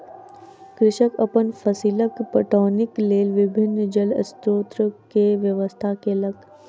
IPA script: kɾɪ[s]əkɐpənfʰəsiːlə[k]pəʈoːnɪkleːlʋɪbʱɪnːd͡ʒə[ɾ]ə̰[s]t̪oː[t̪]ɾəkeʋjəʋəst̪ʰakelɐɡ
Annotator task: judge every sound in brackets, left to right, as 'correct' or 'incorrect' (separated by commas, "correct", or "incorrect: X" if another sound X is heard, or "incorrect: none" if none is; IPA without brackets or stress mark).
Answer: incorrect: ʃ, correct, incorrect: l, correct, correct